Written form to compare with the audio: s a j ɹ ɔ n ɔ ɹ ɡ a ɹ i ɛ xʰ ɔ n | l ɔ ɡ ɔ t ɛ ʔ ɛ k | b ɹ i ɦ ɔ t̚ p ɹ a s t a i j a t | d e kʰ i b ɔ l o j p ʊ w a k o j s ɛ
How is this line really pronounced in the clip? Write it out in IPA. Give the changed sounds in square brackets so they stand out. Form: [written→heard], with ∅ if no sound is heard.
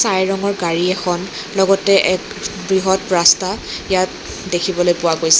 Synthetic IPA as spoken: s a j ɹ ɔ [n→ŋ] ɔ ɹ ɡ a ɹ i ɛ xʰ ɔ n | l ɔ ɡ ɔ t ɛ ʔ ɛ k | b ɹ i ɦ ɔ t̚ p ɹ a s t a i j a t | d e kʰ i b ɔ l o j p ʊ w a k o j s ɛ